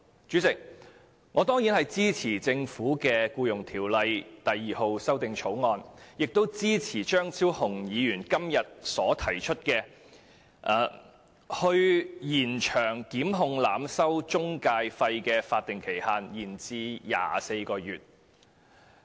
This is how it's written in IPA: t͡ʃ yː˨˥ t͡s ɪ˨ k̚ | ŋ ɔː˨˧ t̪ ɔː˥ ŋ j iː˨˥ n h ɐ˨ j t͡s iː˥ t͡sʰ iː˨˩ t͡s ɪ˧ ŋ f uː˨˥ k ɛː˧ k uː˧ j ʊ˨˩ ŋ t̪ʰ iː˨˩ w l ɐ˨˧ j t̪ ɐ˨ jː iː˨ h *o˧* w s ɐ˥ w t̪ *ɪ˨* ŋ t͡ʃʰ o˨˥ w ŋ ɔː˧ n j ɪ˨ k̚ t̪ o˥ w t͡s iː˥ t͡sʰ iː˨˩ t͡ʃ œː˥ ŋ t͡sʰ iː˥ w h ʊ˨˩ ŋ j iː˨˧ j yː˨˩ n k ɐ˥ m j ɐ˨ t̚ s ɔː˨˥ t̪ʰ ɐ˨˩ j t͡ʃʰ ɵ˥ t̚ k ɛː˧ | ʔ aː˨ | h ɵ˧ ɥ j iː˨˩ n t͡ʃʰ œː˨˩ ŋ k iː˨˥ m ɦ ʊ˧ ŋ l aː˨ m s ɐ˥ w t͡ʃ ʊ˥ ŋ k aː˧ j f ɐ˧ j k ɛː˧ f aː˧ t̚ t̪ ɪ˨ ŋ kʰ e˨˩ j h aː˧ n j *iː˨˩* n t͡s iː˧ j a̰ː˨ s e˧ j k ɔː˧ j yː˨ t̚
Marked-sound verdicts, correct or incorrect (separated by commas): correct, correct, correct